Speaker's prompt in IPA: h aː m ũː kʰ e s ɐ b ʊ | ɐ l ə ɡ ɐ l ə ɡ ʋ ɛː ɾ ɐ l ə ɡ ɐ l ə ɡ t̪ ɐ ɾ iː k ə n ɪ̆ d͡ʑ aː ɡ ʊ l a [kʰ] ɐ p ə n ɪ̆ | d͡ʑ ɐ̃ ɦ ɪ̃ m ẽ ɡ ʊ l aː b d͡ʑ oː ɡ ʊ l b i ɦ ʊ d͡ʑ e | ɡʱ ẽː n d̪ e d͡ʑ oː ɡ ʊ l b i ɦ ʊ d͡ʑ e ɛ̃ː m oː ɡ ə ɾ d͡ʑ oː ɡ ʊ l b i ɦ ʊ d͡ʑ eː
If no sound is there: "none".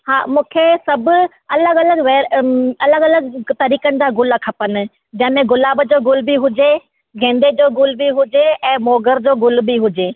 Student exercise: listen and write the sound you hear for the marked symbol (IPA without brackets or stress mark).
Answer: kʰ